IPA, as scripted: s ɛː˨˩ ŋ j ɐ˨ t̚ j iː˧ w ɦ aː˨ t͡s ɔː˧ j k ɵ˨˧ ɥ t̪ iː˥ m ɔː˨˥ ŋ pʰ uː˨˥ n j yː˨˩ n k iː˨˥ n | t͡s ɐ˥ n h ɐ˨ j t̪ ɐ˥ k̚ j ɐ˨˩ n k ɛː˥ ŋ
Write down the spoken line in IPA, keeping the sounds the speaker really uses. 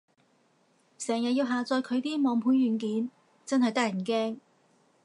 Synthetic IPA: s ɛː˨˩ ŋ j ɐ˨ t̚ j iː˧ w ɦ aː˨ t͡s ɔː˧ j kʰ ɵ˨˧ ɥ t̪ iː˥ m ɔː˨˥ ŋ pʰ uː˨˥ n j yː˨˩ n k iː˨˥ n | t͡s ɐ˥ n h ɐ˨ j t̪ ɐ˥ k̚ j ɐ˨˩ n k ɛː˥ ŋ